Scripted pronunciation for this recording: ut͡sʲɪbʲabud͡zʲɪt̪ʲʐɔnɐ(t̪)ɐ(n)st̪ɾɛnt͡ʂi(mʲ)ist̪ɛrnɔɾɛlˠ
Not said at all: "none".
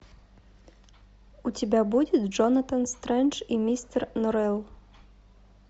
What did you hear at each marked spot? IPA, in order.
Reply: t̪, n, mʲ

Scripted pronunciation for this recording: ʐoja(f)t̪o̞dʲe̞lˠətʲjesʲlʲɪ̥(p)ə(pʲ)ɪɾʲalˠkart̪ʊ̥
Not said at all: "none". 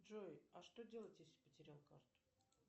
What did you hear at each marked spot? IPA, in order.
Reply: ʂ, p, tʲ

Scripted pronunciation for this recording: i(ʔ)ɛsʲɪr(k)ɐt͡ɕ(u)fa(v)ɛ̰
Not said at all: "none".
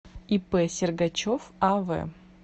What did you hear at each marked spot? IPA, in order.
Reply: p, ɡ, o, v

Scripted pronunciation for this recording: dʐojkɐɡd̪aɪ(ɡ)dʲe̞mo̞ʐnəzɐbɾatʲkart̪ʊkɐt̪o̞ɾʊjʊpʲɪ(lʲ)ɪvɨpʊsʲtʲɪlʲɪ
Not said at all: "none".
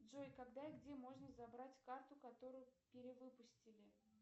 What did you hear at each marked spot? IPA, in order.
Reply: ɡ, ɾʲ

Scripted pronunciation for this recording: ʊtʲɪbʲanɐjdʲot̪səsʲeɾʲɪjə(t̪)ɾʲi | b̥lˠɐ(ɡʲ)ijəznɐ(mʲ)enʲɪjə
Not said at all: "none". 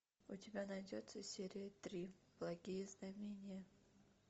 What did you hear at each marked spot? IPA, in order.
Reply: t̪, ɡʲ, mʲ

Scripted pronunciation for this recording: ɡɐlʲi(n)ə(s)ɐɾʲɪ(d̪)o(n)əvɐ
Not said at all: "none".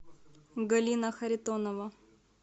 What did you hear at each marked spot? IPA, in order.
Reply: n, x, t̪, n

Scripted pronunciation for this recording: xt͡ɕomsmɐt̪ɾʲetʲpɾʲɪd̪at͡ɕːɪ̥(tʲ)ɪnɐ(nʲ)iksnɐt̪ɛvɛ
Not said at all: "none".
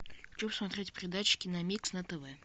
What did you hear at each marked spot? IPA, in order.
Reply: kʲ, mʲ

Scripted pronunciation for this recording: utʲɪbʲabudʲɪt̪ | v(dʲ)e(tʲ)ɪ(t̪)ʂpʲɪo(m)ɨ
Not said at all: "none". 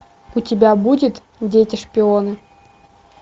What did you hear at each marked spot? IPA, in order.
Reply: dʲ, tʲ, none, n

